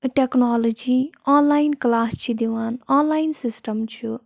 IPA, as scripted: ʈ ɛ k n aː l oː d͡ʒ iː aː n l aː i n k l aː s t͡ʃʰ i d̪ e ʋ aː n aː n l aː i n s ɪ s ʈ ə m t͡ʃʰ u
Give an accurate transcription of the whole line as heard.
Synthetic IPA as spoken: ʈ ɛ k n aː l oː d͡ʒ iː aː n l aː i n k l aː s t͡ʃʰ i d̪ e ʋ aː n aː n l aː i n s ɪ s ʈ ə m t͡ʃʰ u